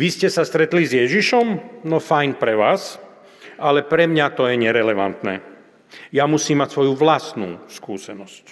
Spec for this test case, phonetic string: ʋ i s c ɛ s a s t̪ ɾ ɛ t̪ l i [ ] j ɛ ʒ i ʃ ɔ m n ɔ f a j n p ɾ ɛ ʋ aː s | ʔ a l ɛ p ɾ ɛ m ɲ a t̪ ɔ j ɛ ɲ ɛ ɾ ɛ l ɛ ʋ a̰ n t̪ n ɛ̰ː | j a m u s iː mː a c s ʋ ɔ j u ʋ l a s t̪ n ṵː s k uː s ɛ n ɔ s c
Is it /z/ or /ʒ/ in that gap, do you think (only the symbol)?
z